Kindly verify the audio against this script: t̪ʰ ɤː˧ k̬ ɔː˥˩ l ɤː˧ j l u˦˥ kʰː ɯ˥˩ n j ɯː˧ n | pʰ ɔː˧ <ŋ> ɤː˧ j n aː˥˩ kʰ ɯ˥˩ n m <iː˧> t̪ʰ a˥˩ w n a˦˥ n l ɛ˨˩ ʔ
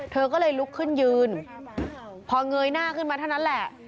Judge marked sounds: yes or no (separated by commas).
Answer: yes, no